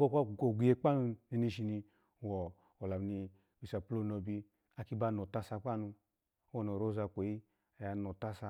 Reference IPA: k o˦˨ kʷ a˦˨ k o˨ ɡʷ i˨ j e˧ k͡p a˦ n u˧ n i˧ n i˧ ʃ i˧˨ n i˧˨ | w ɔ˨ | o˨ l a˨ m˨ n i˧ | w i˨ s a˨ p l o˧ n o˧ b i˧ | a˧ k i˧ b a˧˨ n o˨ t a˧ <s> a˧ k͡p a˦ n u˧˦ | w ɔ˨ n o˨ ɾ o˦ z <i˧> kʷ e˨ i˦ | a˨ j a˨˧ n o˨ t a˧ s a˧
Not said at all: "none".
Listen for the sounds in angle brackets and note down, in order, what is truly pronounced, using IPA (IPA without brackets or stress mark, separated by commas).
s, a˧